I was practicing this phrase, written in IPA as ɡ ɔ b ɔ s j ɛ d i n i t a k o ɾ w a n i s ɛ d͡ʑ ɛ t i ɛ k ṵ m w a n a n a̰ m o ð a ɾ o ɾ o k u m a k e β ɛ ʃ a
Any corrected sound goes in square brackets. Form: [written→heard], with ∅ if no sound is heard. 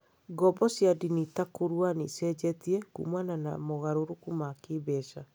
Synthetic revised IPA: ɡ ɔ b ɔ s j [ɛ→a] d i n i t a k o ɾ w a n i s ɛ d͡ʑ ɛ t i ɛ k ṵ m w a n a n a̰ m o [ð→ɣ] a ɾ o ɾ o k u m a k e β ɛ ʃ a